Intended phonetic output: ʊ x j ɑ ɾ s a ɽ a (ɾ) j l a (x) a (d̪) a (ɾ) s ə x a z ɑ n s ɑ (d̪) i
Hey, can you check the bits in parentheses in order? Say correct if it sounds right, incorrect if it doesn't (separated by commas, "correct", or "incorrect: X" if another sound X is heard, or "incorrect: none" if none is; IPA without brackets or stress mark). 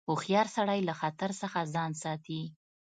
incorrect: none, correct, incorrect: t̪, correct, incorrect: t̪